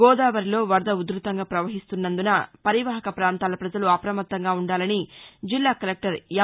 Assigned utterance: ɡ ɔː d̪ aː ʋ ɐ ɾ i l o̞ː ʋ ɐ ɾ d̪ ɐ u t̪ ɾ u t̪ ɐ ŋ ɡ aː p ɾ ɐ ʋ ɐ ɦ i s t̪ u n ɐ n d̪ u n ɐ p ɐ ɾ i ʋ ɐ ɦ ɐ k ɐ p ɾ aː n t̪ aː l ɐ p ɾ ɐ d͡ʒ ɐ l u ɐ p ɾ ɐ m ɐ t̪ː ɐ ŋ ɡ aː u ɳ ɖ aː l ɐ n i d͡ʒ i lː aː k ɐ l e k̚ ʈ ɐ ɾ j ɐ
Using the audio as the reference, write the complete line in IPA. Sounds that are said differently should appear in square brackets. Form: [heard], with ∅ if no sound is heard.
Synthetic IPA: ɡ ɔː d̪ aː ʋ ɐ ɾ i l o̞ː ʋ ɐ ɾ d̪ ɐ u [d̪] ɾ u t̪ ɐ ŋ ɡ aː p ɾ ɐ ʋ ɐ ɦ i s t̪ u [nː] ɐ n d̪ u n ɐ p ɐ ɾ i ʋ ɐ ɦ ɐ k ɐ p ɾ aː n t̪ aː l ɐ p ɾ ɐ d͡ʒ ɐ l u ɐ p ɾ ɐ m ɐ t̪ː ɐ ŋ ɡ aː u ɳ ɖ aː l ɐ n i d͡ʒ i lː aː k ɐ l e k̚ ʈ ɐ ɾ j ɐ